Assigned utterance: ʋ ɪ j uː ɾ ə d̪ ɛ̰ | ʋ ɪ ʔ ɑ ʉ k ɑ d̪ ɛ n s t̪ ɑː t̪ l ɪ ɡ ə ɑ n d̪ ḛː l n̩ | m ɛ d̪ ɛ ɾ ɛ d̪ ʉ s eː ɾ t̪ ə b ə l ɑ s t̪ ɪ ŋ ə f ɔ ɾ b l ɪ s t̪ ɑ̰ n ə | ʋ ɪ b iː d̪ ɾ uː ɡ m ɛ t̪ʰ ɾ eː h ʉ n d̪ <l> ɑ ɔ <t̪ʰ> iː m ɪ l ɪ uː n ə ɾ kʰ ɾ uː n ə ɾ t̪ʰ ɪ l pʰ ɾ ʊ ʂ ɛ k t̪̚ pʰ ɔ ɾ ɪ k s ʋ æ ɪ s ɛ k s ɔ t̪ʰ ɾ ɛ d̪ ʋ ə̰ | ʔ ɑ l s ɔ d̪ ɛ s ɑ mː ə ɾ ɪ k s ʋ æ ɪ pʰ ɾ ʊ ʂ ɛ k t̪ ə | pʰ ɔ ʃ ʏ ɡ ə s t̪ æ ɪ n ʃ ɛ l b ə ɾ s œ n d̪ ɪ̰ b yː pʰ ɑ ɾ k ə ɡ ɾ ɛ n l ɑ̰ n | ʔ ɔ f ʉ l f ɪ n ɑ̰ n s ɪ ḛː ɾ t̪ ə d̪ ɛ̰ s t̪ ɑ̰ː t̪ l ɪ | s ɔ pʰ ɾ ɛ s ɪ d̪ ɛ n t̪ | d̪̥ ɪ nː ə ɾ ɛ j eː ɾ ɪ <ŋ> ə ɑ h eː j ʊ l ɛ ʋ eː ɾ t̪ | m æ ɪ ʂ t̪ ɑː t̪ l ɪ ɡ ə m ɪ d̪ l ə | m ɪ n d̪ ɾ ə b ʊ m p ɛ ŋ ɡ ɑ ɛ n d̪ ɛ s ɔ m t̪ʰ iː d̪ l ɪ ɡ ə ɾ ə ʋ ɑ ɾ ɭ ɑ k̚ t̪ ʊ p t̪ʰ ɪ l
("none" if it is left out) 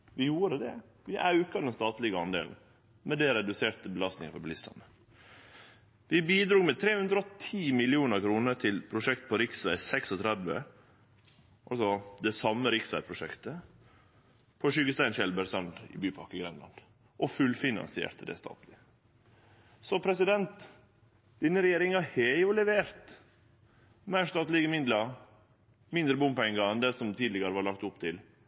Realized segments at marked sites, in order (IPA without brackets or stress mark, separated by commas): ɾ, t̪ʰ, ŋ